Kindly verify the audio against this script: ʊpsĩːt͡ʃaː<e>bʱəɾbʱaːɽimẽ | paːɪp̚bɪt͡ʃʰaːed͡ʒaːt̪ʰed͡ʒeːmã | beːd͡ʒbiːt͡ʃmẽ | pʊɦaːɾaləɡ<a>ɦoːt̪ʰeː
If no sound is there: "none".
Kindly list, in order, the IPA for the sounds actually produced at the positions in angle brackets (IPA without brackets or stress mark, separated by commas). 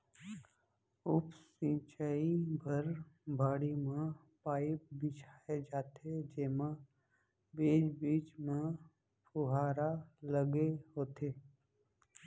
i, e